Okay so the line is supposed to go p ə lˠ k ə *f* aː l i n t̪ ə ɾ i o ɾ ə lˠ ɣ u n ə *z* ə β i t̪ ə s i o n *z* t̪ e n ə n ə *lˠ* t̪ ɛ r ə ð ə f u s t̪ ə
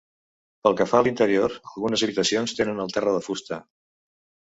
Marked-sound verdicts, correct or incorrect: correct, correct, incorrect: s, correct

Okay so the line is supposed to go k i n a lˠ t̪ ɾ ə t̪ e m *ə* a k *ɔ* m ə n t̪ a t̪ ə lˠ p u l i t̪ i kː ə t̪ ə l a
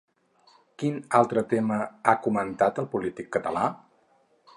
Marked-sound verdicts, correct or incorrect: correct, incorrect: u

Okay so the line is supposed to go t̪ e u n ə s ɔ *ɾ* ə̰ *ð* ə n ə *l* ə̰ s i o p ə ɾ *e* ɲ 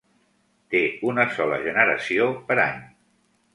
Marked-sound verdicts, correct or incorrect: incorrect: l, incorrect: ʒ, incorrect: ɾ, incorrect: a

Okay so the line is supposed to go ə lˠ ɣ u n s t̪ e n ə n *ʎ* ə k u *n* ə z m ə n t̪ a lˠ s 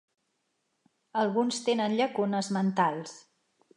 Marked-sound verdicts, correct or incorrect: correct, correct

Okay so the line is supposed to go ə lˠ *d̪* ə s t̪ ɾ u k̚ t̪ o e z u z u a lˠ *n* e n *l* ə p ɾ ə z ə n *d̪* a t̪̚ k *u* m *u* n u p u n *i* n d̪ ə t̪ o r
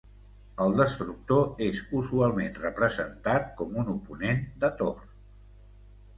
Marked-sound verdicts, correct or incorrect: correct, incorrect: m, incorrect: r, incorrect: t̪, incorrect: ɔ, correct, incorrect: e

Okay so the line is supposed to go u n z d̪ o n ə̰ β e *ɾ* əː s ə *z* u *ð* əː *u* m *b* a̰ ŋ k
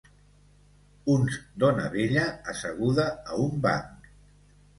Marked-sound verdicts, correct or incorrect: incorrect: ʎ, incorrect: ɣ, correct, correct, correct

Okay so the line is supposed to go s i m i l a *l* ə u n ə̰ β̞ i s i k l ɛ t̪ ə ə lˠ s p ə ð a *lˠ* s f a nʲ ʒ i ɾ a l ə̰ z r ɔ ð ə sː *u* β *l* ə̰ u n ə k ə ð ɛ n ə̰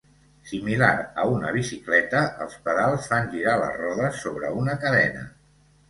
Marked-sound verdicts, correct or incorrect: incorrect: ɾ, correct, incorrect: o, incorrect: ɾ

